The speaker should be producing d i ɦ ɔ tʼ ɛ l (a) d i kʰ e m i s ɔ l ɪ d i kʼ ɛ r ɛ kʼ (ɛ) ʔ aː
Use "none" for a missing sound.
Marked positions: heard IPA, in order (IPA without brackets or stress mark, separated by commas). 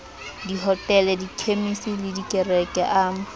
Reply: ɛ, ɛ